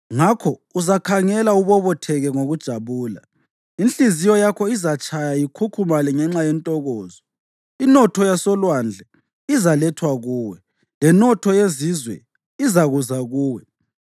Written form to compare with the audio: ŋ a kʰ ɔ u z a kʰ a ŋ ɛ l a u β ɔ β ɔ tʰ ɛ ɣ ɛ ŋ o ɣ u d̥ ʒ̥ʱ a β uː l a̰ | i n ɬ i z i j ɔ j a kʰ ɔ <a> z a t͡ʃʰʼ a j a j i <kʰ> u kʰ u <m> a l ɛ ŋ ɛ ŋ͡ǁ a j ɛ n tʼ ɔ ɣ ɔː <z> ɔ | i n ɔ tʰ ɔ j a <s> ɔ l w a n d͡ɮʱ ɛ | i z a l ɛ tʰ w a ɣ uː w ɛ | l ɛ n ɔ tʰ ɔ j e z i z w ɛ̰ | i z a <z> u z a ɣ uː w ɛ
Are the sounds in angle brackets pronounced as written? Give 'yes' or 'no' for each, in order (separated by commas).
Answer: no, yes, yes, yes, yes, no